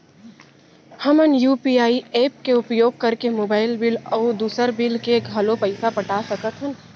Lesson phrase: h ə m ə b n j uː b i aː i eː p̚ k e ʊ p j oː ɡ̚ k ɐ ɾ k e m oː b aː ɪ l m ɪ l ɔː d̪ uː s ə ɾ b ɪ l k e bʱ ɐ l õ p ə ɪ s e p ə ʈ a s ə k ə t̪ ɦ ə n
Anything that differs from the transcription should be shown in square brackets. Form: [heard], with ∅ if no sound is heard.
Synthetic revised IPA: h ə m ə [∅] n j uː [p] i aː i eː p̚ k e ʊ p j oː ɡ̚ k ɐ ɾ k e m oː b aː ɪ l [b] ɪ l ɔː d̪ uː s ə ɾ b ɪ l k e [ɡʱ] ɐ l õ p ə ɪ s [a] p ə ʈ a s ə k ə t̪ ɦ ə n